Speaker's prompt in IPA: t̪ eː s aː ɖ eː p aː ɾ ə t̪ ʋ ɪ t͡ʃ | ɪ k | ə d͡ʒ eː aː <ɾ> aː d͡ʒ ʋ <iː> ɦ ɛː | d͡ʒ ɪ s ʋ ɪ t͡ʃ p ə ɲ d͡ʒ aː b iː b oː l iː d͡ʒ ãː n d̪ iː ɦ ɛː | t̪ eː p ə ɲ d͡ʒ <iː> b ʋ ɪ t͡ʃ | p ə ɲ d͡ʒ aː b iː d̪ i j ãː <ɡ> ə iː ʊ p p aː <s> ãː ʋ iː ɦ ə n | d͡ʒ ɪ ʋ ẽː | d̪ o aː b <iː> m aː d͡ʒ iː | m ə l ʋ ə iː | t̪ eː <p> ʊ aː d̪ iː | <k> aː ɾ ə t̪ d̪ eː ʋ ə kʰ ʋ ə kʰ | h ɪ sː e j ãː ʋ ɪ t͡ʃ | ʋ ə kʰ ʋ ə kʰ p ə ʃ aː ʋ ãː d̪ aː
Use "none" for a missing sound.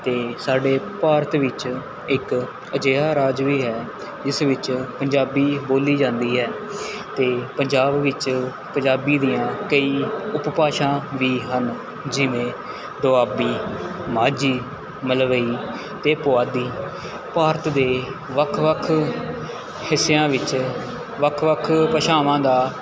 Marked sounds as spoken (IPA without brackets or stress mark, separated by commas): ɾ, iː, aː, k, ʃ, iː, p, p